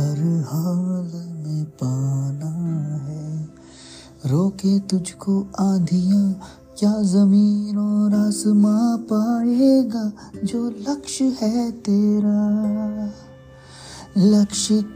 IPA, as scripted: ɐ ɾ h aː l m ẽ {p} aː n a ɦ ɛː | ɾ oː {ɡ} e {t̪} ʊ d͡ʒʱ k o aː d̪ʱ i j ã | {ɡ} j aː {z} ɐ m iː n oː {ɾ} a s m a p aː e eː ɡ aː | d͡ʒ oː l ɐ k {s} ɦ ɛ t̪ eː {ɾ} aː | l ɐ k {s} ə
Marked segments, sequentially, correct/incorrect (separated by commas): correct, incorrect, correct, incorrect, correct, correct, incorrect, correct, incorrect